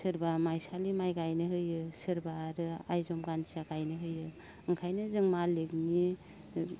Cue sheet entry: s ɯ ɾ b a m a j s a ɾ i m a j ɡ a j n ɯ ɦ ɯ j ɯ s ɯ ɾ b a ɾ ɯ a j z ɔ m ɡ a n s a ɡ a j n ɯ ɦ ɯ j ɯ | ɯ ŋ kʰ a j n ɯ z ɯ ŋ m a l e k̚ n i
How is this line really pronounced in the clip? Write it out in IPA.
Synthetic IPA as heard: s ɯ ɾ b a m a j s a l i m a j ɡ a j n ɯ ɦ ɯ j ɯ s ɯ ɾ b a ɾ ɯ a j z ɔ m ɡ a n s a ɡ a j n ɯ ɦ ɯ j ɯ | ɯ ŋ kʰ a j n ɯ z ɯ ŋ m a l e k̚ n i